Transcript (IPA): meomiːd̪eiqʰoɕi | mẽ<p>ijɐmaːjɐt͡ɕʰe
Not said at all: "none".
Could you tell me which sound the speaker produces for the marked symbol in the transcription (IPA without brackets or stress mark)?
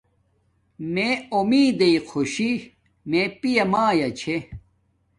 p